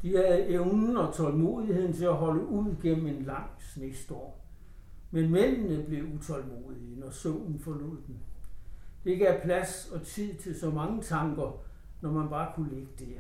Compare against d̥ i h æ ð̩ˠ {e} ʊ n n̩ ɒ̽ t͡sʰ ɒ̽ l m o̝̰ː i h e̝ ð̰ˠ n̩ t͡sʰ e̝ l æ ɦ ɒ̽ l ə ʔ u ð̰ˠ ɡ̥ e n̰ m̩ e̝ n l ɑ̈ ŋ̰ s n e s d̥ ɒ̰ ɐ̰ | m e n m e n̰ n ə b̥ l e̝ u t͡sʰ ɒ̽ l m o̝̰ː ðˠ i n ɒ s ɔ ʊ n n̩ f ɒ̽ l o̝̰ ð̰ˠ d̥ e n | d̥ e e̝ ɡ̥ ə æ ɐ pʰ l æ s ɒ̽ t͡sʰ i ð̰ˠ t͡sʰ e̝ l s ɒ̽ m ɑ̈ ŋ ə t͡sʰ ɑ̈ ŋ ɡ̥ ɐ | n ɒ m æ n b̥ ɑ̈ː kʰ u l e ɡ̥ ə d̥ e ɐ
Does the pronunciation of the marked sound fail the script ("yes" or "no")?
no